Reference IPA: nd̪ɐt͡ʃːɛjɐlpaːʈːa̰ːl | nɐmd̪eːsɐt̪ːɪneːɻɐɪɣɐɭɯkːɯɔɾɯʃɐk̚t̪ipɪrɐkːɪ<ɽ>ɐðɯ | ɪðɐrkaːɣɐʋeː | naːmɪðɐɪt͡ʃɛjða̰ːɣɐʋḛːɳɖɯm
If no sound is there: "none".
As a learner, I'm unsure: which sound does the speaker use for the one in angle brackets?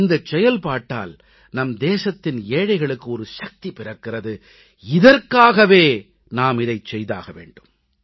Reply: r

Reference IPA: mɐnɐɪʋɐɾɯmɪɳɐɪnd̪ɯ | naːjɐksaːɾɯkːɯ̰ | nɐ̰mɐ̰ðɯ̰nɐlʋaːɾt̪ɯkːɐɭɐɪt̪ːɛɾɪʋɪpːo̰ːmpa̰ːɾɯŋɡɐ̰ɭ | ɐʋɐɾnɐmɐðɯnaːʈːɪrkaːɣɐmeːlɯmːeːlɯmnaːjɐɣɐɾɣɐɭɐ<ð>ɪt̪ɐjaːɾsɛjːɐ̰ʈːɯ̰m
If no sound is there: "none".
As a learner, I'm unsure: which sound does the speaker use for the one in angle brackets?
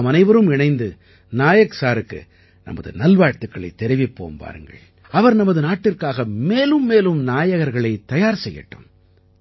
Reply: none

